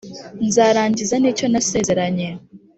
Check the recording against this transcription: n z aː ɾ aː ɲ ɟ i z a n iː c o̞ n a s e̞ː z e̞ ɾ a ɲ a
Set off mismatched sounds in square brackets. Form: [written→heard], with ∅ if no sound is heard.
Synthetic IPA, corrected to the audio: n z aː ɾ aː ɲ ɟ i z a n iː c o̞ n a s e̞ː z e̞ ɾ a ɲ [a→e]